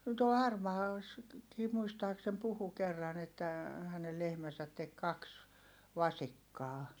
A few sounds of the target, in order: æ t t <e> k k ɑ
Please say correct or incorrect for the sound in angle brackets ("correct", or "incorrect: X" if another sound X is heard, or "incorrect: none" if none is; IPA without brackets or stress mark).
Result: correct